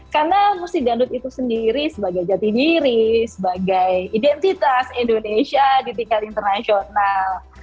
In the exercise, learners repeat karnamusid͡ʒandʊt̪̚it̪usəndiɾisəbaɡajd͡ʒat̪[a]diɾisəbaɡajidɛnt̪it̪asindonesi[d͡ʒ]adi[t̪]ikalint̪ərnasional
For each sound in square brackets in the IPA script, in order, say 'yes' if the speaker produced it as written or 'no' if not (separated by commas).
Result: no, no, yes